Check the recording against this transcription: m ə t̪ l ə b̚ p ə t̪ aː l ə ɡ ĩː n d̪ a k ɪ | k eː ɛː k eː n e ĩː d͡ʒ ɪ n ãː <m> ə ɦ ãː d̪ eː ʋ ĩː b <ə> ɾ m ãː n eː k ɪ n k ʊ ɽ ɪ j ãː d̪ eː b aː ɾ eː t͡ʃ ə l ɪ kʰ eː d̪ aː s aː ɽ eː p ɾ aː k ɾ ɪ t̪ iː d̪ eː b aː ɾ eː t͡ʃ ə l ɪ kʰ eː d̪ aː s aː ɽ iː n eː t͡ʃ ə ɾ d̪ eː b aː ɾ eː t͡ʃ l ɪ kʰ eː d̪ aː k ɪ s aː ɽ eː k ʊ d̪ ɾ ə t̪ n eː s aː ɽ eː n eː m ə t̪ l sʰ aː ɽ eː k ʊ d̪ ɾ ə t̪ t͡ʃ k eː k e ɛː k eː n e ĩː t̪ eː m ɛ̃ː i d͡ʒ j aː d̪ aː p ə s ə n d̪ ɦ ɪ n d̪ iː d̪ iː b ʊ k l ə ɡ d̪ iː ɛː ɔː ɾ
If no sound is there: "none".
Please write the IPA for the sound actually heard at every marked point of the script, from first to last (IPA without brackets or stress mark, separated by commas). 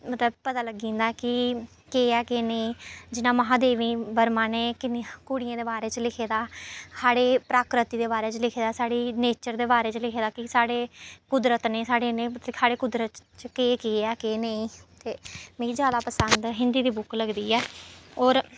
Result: m, ə